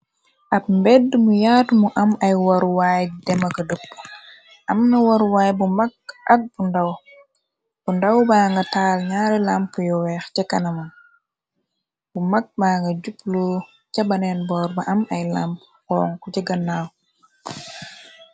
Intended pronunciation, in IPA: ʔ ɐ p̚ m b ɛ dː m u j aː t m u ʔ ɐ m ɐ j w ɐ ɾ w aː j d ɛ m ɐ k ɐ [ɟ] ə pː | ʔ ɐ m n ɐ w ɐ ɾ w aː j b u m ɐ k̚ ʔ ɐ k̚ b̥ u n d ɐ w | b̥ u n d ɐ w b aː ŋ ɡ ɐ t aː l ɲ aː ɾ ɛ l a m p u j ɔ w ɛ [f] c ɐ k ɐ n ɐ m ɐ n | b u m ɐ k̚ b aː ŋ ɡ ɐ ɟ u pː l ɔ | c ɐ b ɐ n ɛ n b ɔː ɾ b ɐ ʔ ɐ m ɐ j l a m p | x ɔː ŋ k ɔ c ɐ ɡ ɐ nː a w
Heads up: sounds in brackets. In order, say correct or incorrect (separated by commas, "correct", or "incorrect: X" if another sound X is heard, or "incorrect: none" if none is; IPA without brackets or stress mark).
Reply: incorrect: d, incorrect: x